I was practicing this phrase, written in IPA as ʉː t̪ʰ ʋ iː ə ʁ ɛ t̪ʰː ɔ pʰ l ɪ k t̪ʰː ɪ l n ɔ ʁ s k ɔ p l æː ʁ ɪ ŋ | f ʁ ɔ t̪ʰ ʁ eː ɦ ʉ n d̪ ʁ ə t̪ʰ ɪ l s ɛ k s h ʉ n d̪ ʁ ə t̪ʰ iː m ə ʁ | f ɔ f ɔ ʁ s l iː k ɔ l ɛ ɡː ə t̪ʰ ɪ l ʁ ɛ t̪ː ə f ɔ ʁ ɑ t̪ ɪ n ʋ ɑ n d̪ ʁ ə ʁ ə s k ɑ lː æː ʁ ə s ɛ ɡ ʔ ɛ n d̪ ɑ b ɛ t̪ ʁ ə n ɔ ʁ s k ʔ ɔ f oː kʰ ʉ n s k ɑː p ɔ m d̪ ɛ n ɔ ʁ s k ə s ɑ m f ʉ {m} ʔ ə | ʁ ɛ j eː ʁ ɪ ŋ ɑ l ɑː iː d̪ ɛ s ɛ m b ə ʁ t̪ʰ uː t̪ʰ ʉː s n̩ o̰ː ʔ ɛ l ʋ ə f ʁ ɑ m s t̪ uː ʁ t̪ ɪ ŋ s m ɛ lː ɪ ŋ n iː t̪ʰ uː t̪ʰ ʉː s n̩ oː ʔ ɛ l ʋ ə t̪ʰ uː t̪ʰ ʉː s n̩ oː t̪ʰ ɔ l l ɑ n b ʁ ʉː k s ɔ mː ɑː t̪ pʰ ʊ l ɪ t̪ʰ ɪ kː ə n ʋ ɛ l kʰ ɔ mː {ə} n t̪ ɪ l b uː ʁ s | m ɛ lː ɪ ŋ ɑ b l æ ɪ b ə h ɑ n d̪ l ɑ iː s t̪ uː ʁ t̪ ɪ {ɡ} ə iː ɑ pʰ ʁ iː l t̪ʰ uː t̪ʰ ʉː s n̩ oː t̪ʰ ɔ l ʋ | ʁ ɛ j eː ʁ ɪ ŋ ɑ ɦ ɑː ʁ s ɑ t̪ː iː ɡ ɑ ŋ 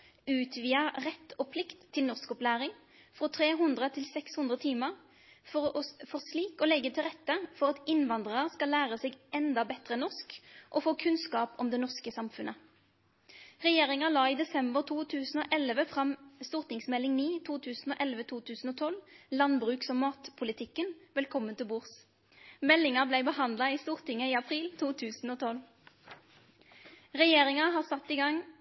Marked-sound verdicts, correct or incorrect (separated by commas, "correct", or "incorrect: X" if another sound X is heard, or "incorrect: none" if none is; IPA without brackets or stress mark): incorrect: n, correct, incorrect: ŋ